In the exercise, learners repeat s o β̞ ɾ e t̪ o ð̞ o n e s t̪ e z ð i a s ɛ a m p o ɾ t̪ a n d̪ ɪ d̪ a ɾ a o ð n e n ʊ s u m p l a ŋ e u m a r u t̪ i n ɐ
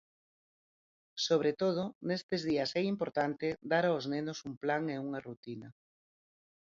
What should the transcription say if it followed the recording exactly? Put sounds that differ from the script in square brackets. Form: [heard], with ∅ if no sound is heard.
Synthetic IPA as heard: s o β̞ ɾ e t̪ o ð̞ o n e s t̪ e z ð i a s ɛ [i] m p o ɾ t̪ a n [t̪] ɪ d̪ a ɾ a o [z] n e n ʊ s u m p l a ŋ e u [ŋ] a r u t̪ i n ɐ

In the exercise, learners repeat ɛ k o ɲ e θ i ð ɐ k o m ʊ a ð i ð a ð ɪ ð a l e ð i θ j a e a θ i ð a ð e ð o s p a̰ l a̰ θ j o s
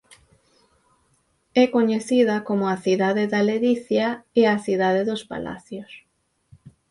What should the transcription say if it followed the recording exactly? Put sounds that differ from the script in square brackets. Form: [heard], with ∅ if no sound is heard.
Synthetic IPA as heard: ɛ k o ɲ e θ i ð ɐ k o m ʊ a [θ] i ð a ð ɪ ð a l e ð i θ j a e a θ i ð a ð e ð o s p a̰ l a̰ θ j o s

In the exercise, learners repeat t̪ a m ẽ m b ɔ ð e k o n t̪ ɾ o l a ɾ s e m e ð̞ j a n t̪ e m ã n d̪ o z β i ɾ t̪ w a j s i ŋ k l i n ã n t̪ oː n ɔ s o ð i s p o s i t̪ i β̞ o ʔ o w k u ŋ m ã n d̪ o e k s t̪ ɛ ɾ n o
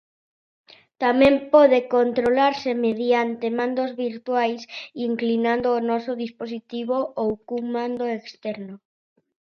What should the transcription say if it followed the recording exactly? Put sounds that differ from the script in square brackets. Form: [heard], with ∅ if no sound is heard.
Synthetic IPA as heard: t̪ a m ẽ m [p] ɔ ð e k o n t̪ ɾ o l a ɾ s e m e ð̞ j a n t̪ e m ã n d̪ o z β i ɾ t̪ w a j s i ŋ k l i n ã n [d̪] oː n ɔ s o ð i s p o s i t̪ i β̞ o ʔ o w k u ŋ m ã n d̪ o e k s t̪ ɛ ɾ n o

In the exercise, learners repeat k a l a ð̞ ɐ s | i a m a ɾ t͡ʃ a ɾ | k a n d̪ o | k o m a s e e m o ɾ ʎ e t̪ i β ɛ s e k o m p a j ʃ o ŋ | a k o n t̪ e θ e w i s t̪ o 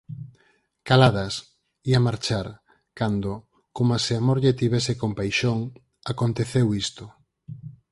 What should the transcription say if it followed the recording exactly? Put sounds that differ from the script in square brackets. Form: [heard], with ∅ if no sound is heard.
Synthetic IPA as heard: k a l a ð̞ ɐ s | i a m a ɾ t͡ʃ a ɾ | k a n d̪ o | k o m a s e [a] m o ɾ ʎ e t̪ i β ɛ s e k o m p a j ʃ o ŋ | a k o n t̪ e θ e w i s t̪ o

